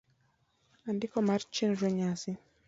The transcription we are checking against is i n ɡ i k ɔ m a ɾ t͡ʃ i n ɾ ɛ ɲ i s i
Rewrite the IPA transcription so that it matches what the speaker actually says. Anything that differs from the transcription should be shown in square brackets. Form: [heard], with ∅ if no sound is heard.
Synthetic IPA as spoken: [a] n [d] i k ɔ m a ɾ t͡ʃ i n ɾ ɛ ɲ [a] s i

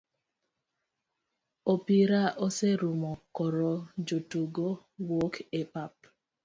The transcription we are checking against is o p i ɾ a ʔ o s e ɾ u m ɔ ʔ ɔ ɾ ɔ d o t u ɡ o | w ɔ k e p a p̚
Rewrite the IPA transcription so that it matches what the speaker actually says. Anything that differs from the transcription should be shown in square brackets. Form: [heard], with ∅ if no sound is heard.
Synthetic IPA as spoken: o p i ɾ a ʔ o s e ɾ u m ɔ [k] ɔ ɾ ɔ [d͡ʒ] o t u ɡ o | w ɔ k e p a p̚

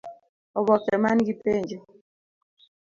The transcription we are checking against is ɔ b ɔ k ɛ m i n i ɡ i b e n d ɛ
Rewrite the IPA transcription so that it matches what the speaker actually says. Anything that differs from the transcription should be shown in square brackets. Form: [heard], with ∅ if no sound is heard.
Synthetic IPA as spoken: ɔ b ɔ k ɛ m [a] n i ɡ i [p] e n [d͡ʒ] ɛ

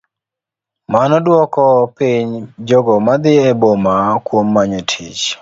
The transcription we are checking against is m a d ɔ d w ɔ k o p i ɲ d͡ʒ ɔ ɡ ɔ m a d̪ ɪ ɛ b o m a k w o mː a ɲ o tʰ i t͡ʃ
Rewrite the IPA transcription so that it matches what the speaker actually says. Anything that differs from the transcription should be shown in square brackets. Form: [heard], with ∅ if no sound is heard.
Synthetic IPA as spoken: m a [n] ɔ d w ɔ k [ɔ] p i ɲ d͡ʒ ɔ ɡ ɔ m a d̪ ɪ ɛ b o m a k w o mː a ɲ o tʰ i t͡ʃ

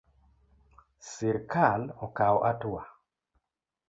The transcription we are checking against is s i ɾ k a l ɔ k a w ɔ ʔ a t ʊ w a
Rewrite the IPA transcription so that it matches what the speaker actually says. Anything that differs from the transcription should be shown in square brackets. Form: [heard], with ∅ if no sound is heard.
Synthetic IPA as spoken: s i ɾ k a l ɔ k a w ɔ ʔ a t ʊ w a

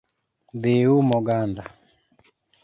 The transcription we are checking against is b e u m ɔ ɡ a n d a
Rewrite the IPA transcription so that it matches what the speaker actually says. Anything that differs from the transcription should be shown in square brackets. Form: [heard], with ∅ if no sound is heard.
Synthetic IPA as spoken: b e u m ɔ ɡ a n d a

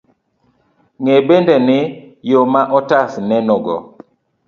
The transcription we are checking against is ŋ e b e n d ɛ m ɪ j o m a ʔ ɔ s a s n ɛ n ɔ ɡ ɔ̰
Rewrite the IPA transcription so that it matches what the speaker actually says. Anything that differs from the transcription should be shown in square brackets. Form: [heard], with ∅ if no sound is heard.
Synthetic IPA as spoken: ŋ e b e n d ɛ [n] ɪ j o m a ʔ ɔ [t] a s n ɛ n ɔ ɡ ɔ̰

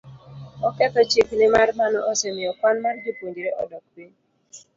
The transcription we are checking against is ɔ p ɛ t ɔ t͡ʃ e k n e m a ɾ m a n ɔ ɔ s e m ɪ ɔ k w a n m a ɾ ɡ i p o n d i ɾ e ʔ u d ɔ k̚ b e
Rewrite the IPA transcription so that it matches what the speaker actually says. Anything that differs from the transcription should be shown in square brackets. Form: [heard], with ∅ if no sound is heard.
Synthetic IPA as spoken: ɔ [k] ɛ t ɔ t͡ʃ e k n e m a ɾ m a n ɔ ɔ s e m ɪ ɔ k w a n m a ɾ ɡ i p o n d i ɾ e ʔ [ɔ] d ɔ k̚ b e

